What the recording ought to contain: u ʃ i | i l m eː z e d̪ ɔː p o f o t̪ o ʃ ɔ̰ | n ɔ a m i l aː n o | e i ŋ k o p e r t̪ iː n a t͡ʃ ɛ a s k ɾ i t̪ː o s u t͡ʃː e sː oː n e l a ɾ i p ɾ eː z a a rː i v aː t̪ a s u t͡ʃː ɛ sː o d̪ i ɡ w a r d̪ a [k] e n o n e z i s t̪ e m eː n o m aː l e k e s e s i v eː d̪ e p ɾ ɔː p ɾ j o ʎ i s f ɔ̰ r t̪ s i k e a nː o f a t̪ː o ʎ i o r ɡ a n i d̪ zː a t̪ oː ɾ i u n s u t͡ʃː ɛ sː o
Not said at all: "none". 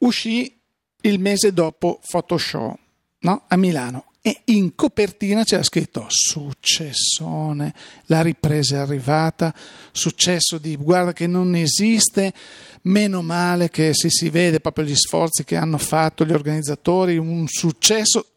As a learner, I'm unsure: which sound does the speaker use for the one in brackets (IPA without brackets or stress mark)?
k